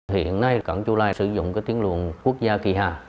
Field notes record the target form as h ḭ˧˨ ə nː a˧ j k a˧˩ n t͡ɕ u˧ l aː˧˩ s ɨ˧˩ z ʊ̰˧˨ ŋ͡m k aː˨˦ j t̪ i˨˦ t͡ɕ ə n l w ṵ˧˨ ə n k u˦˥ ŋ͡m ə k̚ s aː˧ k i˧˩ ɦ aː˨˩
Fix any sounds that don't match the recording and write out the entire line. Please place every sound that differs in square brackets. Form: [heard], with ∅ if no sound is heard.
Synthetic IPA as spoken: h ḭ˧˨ ə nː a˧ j k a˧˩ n t͡ɕ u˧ l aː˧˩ s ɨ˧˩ z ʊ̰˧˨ ŋ͡m k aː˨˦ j t̪ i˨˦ [∅] ə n l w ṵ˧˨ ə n k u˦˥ [∅] ə k̚ [z] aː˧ k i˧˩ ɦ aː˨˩